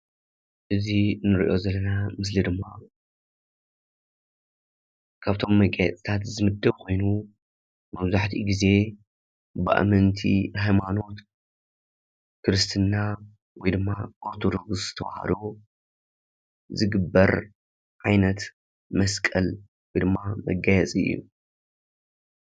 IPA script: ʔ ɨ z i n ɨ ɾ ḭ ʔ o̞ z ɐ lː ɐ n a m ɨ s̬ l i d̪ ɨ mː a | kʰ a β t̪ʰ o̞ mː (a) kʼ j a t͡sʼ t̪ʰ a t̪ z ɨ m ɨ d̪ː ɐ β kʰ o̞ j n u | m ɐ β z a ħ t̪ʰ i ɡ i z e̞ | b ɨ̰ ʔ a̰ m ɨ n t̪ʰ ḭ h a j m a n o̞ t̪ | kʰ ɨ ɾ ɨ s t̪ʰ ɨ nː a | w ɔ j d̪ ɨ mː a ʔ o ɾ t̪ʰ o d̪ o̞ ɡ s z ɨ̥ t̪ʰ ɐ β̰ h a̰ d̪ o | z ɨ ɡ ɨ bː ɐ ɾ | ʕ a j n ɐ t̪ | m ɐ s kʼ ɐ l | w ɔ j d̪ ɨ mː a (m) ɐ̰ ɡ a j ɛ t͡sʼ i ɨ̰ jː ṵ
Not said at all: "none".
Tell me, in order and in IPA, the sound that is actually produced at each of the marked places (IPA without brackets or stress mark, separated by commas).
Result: ɐ, m